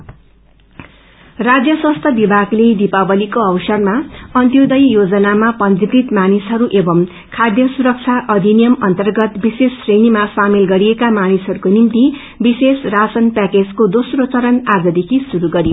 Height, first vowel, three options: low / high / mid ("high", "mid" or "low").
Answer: low